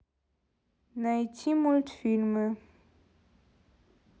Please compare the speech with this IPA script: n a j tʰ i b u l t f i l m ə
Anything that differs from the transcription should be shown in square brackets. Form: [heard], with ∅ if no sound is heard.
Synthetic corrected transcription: n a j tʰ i [m] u l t f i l m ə